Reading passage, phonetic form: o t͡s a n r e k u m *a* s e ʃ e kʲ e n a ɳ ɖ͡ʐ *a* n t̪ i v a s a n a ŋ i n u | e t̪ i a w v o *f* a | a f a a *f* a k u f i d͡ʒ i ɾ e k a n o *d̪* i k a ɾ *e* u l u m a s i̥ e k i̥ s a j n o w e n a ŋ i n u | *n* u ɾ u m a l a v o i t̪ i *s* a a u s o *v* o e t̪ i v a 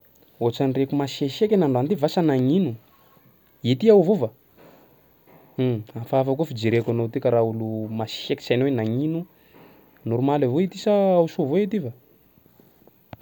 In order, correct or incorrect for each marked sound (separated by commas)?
correct, correct, incorrect, correct, incorrect, incorrect, correct, correct, correct